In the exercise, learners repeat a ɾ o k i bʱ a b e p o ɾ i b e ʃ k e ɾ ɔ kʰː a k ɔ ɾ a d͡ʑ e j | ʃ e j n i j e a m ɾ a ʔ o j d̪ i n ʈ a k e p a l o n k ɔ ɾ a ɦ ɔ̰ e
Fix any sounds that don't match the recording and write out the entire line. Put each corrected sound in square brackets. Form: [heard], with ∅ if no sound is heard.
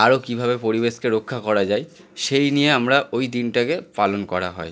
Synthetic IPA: a ɾ o k i bʱ a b e p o ɾ i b e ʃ k e ɾ [o] kʰː a k ɔ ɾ a d͡ʑ [a] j | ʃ e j n i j e a m ɾ a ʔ o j d̪ i n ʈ a k e p a l o n k ɔ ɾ a ɦ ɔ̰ e